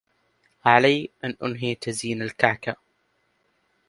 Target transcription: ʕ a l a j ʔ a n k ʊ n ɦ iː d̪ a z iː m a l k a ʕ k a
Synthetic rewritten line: ʕ a l a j ʔ a n ʔ ʊ n ɦ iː t̪ a z iː n a l k a ʕ k a